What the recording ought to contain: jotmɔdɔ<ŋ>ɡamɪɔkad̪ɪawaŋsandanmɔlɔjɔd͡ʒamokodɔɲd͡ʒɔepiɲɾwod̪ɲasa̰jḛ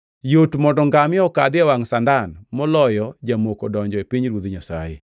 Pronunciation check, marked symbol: correct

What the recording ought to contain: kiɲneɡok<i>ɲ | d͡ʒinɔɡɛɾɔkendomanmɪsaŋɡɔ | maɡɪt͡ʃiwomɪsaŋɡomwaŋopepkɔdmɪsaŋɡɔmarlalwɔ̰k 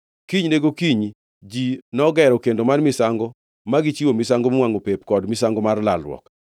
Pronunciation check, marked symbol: correct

